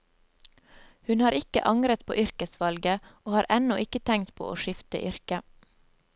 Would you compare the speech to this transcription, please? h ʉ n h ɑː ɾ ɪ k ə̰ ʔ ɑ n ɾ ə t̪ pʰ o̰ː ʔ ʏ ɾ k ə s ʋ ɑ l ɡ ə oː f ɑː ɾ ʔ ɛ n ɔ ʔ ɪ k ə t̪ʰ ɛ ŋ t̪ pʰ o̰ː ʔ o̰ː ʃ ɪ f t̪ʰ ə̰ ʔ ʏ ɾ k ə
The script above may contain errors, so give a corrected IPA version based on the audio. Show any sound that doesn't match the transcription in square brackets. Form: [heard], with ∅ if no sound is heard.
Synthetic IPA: h ʉ n h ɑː ɾ ɪ k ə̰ ʔ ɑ [ŋ] ɾ ə t̪ pʰ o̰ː ʔ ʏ ɾ k ə s ʋ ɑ l ɡ ə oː [h] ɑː ɾ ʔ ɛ n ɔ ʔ ɪ k ə t̪ʰ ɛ ŋ t̪ pʰ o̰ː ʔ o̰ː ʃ ɪ f [t̪] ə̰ ʔ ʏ ɾ k ə